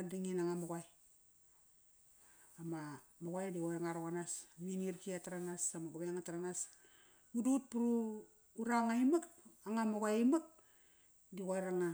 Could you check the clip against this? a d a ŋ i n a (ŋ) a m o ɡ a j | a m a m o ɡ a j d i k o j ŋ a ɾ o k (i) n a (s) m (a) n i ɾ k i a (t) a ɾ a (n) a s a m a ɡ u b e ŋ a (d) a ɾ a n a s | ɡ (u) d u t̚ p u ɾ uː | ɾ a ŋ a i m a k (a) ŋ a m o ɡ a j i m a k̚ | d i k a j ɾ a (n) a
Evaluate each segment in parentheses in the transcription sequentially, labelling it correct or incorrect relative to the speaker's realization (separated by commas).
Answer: correct, incorrect, correct, incorrect, correct, correct, incorrect, correct, correct, incorrect